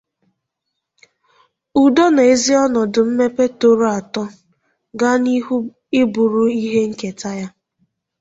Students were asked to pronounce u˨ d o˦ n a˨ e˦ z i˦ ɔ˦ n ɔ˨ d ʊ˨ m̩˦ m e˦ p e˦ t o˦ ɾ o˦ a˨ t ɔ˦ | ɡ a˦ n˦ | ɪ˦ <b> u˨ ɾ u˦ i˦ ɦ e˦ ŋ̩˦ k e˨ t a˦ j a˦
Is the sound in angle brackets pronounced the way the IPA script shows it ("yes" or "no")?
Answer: yes